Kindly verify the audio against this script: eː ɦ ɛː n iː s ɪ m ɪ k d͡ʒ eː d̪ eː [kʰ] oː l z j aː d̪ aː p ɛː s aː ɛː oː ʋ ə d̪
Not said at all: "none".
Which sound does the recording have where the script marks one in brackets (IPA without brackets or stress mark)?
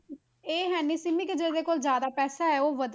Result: k